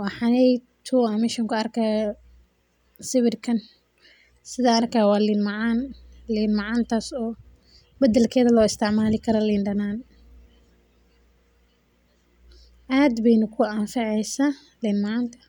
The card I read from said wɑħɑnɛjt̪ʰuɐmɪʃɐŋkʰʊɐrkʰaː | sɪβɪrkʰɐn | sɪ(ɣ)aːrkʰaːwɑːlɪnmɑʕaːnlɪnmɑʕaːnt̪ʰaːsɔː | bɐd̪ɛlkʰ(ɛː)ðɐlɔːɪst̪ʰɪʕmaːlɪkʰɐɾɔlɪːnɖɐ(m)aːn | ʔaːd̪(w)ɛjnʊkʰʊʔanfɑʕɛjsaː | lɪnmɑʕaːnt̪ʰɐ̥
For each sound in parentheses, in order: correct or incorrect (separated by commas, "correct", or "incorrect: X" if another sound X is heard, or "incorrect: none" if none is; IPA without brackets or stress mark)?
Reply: incorrect: ð, correct, incorrect: n, incorrect: b